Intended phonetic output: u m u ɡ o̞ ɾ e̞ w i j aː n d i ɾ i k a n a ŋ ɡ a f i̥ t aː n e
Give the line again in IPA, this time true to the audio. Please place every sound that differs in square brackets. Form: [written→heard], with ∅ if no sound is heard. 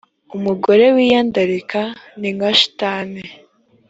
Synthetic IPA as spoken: u m u ɡ o̞ ɾ e̞ w i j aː n d [i→a] ɾ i k a n [a→i] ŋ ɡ a [f→ʃ] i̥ t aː n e